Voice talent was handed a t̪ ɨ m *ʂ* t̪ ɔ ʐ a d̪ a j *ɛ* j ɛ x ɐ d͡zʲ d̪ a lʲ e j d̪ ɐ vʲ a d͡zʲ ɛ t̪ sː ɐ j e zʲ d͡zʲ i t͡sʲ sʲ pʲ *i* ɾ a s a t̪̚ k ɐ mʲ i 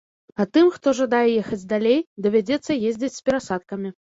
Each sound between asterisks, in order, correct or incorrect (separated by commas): incorrect, correct, incorrect